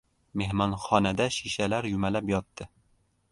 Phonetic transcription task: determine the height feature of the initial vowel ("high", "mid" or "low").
mid